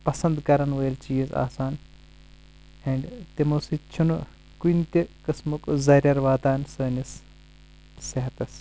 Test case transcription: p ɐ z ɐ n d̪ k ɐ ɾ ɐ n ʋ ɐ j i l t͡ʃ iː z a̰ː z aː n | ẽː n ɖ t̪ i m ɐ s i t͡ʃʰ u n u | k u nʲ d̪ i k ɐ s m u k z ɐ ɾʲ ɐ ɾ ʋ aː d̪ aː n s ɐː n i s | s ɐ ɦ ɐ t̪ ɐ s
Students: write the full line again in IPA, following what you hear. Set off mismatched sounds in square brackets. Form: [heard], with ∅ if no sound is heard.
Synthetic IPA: p ɐ [s] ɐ n d̪ k ɐ ɾ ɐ n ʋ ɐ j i l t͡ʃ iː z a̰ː [s] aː n | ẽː [ɳ] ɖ t̪ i m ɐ s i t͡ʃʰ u n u | k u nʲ [t̪] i k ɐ s m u k z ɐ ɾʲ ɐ ɾ ʋ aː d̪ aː n s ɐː n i s | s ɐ ɦ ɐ t̪ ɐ s